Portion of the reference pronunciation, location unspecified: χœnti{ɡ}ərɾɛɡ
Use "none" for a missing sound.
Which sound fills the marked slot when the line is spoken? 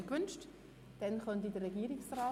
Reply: d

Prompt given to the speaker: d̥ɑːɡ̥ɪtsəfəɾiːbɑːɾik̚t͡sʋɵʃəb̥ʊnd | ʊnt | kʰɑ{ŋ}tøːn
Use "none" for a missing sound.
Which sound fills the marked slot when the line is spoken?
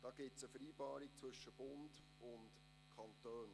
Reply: n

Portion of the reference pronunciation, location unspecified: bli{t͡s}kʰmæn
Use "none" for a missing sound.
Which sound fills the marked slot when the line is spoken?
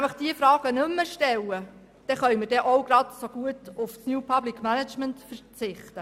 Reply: none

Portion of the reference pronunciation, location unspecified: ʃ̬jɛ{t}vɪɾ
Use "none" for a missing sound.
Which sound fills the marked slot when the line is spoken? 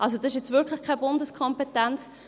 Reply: t͡s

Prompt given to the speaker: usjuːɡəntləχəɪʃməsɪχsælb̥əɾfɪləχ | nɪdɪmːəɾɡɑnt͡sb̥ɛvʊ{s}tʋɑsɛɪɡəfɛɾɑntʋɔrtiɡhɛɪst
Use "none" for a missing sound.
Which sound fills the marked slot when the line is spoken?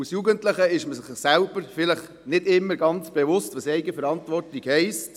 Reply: s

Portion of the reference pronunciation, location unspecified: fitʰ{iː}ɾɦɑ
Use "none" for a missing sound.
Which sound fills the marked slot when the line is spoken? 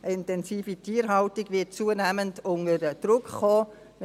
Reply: iː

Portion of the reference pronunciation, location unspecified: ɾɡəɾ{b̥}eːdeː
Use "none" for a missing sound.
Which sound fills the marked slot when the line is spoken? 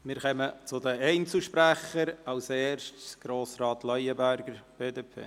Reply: b̥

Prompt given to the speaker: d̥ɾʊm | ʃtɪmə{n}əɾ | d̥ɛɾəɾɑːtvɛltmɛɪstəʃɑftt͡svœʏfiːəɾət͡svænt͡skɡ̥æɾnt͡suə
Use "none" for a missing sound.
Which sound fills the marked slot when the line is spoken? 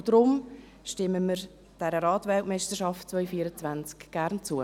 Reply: m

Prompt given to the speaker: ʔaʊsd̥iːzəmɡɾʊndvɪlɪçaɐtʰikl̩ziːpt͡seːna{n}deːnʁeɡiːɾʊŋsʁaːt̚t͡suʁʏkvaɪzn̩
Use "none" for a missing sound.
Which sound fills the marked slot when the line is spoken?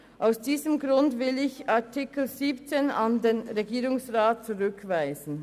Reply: n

